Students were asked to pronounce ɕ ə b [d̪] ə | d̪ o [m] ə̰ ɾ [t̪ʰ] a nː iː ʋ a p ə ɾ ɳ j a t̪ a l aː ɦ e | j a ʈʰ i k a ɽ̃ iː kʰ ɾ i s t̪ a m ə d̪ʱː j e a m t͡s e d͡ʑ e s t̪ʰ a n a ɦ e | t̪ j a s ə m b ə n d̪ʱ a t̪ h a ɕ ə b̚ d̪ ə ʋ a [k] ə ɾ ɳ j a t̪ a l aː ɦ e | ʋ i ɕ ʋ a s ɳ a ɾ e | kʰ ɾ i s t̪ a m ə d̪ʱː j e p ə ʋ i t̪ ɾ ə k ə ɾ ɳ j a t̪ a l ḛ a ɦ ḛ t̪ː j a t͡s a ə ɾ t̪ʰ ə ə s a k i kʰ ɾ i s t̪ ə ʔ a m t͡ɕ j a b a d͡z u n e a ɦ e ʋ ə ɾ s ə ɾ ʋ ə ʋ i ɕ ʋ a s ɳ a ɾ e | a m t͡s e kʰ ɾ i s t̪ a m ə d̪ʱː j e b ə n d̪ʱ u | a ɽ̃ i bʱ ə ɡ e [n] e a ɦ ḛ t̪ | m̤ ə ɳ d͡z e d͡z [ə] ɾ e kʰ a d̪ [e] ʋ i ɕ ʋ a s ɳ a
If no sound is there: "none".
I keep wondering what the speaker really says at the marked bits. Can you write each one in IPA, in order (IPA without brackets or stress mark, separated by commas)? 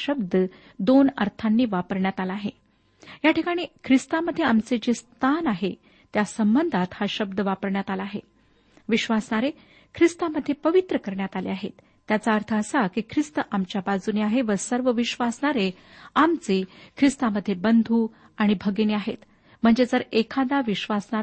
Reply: d̪, n, t̪ʰ, p, n, ə, a